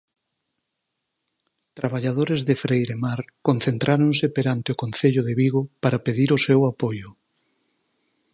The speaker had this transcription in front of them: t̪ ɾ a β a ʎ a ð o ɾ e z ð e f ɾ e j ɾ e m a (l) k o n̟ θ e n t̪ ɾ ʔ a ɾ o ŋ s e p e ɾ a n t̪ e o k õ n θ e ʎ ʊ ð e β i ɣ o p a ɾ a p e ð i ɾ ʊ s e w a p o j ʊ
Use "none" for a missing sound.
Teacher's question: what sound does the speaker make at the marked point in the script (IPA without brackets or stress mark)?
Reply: ɾ